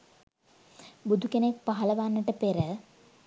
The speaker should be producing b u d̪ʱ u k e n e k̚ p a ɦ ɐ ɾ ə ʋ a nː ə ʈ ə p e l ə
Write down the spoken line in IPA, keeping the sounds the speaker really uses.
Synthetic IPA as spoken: b u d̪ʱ u k e n e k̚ p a ɦ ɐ l ə ʋ a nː ə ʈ ə p e ɾ ə